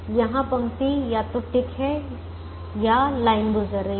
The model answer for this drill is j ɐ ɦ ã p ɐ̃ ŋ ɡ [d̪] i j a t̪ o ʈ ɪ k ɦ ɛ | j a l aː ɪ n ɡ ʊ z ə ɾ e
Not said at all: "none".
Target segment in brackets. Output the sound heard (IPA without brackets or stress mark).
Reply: t̪